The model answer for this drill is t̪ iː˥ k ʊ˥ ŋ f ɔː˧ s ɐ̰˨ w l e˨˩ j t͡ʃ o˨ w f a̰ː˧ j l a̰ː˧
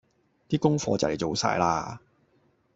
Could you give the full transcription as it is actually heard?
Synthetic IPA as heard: t̪ iː˥ k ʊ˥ ŋ f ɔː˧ t͡s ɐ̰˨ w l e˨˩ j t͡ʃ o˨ w s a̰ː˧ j l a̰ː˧